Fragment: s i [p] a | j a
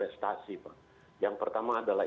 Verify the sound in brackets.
correct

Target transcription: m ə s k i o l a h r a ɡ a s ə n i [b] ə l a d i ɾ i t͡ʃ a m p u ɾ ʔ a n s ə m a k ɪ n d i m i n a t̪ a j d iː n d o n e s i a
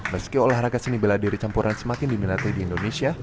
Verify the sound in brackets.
correct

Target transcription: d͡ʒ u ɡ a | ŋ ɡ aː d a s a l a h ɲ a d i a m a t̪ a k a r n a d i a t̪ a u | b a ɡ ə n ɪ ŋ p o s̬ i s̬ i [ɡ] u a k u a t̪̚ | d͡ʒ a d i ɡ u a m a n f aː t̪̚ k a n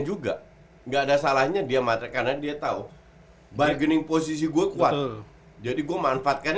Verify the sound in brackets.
correct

